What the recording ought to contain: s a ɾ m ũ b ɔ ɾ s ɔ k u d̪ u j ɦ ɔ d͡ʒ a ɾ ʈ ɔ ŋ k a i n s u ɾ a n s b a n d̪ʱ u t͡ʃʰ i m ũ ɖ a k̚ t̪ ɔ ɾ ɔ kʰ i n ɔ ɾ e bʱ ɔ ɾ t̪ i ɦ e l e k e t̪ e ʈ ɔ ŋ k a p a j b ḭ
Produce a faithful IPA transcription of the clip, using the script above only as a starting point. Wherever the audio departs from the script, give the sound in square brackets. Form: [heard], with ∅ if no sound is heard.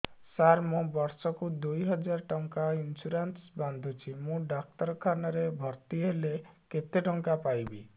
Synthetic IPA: s a ɾ m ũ b ɔ ɾ s ɔ k u d̪ u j ɦ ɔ d͡ʒ a ɾ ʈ ɔ ŋ k a i n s u ɾ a n s b a n d̪ʱ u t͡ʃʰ i m ũ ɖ a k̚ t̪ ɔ ɾ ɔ kʰ [a] n ɔ ɾ e bʱ ɔ ɾ t̪ i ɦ e l e k e t̪ e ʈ ɔ ŋ k a p a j b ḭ